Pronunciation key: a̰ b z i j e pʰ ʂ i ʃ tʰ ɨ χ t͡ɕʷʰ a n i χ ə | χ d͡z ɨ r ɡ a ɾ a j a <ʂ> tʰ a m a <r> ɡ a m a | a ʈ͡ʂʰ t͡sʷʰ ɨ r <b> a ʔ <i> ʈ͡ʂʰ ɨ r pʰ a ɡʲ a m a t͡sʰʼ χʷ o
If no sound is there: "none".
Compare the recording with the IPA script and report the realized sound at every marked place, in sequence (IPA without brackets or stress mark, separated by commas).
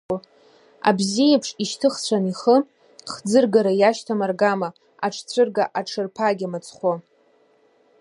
ʃ, r, ɡ, a